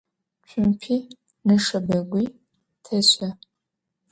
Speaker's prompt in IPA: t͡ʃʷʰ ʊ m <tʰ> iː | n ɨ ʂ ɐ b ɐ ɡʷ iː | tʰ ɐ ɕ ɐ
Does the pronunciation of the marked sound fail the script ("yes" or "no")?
yes